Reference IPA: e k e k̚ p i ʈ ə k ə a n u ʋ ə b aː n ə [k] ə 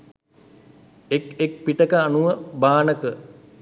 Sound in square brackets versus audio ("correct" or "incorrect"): correct